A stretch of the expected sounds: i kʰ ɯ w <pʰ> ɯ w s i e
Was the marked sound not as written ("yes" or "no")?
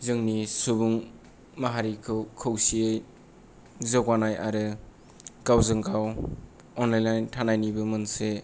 yes